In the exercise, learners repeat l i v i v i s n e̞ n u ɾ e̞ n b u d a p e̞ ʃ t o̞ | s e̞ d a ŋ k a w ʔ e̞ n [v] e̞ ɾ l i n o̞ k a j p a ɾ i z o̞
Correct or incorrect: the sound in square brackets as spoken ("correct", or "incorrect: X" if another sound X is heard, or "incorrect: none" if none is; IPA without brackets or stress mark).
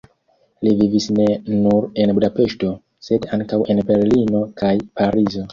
incorrect: b